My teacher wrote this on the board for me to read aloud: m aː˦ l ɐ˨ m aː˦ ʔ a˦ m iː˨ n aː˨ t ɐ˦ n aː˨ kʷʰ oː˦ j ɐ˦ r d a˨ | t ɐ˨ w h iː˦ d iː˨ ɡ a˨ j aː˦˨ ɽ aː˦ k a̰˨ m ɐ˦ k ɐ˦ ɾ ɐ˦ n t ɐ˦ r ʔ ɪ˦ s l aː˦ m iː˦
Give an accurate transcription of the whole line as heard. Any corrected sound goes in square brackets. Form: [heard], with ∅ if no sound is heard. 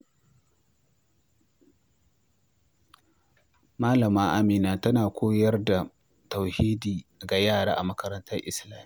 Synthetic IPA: m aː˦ l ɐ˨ m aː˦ ʔ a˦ m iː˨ n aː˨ t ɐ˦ n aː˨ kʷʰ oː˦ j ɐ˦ r d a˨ | t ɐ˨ w h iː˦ d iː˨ ɡ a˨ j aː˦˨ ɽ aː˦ [ʔ] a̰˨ m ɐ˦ k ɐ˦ ɾ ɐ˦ n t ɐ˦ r ʔ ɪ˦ s l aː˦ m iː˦